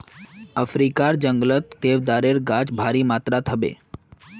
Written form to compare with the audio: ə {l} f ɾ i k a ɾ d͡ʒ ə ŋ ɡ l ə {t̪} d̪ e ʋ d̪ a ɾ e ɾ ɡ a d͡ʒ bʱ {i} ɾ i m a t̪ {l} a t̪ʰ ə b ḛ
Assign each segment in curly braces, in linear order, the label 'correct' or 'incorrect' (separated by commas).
incorrect, correct, incorrect, incorrect